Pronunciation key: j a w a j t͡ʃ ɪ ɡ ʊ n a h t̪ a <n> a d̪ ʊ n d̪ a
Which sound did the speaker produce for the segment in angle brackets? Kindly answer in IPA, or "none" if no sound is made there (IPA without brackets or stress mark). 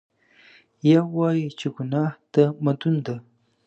m